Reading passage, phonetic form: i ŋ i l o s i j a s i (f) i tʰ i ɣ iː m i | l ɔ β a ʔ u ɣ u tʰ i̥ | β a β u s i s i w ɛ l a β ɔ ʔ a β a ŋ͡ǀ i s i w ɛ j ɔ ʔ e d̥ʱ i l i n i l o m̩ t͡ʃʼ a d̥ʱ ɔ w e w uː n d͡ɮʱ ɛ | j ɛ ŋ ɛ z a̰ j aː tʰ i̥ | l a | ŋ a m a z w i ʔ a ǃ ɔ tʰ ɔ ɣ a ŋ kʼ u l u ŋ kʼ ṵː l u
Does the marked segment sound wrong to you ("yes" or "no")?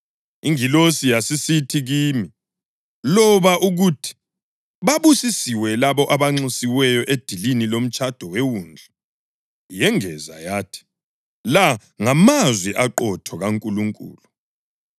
yes